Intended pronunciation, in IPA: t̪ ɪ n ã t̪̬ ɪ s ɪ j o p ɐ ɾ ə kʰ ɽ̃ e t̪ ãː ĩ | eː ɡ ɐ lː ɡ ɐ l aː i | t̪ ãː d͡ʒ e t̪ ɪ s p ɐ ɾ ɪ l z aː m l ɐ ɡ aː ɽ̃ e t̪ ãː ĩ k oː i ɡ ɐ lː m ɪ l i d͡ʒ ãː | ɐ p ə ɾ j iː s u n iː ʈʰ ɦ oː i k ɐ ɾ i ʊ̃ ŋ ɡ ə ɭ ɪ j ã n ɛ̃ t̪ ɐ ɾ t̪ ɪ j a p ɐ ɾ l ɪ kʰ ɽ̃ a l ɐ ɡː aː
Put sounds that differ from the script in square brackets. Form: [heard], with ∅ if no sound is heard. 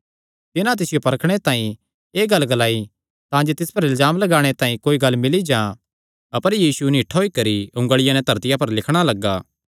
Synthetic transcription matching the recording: t̪ ɪ n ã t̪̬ ɪ s ɪ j o p ɐ ɾ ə kʰ ɽ̃ e t̪ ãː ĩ | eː ɡ ɐ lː ɡ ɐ l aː i | t̪ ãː d͡ʒ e t̪ ɪ s p ɐ ɾ ɪ l z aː m l ɐ ɡ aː ɽ̃ e t̪ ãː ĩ k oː i ɡ ɐ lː m ɪ l i d͡ʒ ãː | ɐ p ə ɾ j iː s u n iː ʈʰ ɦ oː i k ɐ ɾ i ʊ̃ ŋ ɡ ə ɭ ɪ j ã n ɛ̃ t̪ ɐ ɾ t̪ ɪ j a p ɐ ɾ l ɪ kʰ ɽ̃ a l ɐ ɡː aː